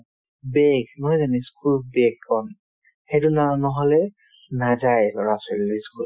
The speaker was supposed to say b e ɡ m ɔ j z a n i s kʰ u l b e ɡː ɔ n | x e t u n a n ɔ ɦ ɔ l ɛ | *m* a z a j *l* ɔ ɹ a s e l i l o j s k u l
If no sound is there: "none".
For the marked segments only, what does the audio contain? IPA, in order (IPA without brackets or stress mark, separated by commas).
n, l